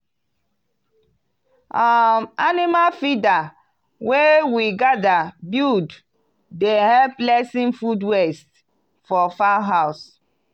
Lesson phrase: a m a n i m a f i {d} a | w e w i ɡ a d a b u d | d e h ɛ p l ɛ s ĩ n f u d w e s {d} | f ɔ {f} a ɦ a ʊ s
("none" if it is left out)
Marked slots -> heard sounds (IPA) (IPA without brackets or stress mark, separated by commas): d, t, f